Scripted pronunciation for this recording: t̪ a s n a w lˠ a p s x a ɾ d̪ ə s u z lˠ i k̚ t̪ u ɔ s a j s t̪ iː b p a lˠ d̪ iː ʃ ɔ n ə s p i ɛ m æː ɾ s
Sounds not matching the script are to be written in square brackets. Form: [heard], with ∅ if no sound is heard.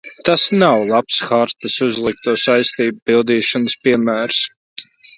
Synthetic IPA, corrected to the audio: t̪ a s n a w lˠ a p s x a ɾ [t̪] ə s u z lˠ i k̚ t̪ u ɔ s a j s t̪ iː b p [i] lˠ d̪ iː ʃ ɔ n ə s p i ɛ m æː ɾ s